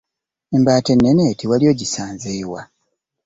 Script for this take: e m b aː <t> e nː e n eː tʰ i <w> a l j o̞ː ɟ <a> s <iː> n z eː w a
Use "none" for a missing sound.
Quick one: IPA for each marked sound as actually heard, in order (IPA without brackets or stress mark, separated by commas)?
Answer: t, w, i, aː